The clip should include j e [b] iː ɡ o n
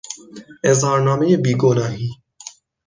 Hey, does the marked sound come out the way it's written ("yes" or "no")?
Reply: yes